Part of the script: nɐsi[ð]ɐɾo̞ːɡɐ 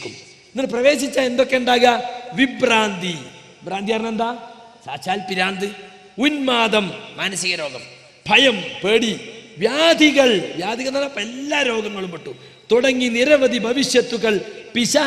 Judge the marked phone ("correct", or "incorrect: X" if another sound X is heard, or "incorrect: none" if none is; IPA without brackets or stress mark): incorrect: ɣ